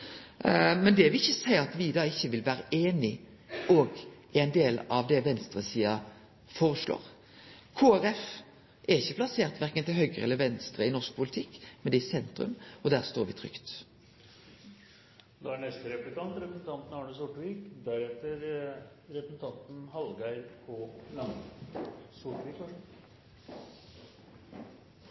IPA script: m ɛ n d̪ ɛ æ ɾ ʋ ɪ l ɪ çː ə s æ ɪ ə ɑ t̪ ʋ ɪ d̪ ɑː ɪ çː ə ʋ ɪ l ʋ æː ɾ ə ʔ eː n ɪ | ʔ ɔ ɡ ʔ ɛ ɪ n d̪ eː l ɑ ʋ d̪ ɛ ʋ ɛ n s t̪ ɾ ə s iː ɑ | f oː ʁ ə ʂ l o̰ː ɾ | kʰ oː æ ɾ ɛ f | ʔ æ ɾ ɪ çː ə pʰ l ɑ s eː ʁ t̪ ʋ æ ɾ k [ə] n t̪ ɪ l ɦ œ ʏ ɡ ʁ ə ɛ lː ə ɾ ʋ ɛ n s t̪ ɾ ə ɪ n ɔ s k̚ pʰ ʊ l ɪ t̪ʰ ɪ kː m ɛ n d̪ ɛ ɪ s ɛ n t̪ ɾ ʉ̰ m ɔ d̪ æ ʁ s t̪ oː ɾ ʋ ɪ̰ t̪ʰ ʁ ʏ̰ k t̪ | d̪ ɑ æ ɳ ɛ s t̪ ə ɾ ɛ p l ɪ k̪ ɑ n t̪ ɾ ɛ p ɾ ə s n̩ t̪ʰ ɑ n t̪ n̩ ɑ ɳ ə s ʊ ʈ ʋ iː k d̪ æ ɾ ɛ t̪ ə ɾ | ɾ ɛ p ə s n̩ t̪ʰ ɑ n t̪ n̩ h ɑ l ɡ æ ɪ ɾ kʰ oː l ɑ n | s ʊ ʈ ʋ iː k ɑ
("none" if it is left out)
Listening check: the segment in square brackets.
ə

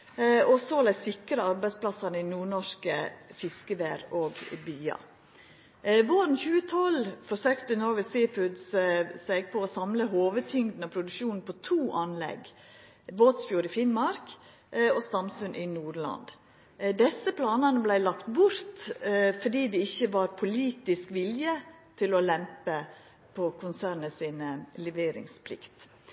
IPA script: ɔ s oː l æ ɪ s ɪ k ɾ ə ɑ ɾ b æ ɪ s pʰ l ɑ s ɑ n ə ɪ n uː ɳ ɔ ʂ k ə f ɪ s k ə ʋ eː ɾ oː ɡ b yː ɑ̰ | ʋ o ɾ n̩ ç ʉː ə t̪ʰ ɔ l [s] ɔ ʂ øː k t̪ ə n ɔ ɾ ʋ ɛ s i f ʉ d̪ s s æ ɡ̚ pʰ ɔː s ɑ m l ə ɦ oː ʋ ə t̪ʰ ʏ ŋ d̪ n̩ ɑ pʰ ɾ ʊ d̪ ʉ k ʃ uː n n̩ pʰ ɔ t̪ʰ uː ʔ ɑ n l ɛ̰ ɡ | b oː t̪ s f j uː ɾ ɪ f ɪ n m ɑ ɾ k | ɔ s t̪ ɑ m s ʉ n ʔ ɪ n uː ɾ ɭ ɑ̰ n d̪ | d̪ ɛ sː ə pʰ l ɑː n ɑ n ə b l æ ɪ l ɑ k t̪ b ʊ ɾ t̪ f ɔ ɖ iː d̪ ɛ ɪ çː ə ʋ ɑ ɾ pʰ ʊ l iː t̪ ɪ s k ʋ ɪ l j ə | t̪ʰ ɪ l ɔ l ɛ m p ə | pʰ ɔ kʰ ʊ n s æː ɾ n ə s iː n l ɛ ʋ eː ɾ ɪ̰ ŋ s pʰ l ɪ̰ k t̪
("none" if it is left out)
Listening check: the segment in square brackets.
f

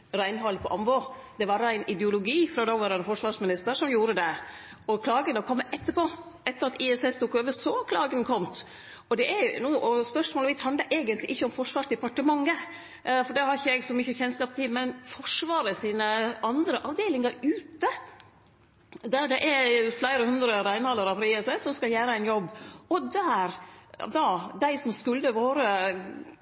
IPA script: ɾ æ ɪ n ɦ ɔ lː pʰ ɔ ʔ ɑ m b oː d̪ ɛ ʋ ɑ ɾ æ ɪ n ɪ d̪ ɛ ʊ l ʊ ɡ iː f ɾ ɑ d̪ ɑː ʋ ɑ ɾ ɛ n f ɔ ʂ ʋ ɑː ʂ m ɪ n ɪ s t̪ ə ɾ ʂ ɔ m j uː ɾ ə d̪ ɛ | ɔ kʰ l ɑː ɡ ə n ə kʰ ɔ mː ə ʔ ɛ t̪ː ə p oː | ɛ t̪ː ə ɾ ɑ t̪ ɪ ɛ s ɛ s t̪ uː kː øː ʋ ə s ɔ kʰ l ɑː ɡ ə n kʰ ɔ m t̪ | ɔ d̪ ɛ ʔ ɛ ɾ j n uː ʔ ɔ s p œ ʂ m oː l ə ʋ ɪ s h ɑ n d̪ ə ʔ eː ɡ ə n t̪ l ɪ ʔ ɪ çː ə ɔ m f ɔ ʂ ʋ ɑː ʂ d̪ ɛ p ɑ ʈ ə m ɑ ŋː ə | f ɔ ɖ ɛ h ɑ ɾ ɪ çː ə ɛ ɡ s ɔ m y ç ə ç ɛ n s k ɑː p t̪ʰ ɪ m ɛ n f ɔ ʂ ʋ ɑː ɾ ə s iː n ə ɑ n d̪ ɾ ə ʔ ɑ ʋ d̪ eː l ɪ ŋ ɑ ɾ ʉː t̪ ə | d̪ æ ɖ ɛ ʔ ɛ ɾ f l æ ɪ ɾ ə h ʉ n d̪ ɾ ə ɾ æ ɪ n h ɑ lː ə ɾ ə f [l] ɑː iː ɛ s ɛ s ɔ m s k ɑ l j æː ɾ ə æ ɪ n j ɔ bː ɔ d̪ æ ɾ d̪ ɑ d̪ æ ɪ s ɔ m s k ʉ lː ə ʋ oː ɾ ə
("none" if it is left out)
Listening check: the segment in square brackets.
ɾ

